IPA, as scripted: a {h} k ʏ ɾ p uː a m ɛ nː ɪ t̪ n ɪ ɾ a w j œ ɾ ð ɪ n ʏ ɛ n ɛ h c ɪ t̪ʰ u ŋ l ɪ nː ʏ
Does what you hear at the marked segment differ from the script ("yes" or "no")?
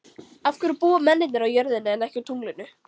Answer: yes